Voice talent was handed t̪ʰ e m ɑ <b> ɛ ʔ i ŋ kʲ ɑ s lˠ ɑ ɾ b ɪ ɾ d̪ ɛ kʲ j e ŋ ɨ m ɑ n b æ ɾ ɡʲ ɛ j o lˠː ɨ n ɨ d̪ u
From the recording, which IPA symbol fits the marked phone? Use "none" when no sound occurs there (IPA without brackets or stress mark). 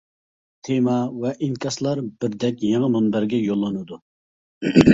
v